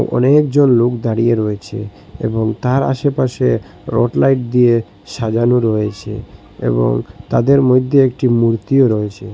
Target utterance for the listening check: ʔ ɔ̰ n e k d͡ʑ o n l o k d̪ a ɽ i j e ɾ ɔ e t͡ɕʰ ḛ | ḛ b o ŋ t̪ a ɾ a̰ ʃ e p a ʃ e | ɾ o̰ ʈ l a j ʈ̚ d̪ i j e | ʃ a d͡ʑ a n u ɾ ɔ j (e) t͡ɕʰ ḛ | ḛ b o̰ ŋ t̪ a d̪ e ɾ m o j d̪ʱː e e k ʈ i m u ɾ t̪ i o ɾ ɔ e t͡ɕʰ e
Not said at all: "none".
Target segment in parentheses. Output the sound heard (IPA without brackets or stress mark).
e